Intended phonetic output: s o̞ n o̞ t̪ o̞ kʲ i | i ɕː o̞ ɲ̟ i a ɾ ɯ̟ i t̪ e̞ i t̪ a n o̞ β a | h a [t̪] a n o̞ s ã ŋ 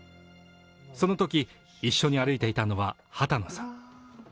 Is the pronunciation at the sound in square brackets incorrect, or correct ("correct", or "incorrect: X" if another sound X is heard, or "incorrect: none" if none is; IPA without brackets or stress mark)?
correct